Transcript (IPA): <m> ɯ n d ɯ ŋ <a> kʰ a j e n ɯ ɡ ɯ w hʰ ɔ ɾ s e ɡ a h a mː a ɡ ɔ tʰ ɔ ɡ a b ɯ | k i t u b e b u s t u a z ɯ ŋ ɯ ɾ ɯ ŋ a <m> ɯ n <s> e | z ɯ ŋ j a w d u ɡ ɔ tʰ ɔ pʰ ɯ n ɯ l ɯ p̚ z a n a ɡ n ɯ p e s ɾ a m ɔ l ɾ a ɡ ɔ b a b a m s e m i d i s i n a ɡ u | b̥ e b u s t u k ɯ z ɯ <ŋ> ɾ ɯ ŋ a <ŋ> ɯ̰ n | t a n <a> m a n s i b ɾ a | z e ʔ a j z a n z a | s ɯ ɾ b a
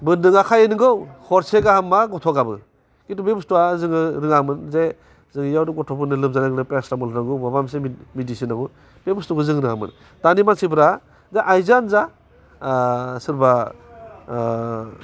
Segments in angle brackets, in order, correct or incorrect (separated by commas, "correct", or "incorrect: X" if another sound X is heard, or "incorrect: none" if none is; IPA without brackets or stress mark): incorrect: b, correct, correct, incorrect: z, correct, incorrect: m, incorrect: i